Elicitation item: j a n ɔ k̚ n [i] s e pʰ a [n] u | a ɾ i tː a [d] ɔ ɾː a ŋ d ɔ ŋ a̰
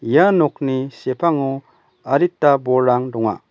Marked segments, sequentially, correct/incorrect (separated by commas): correct, incorrect, incorrect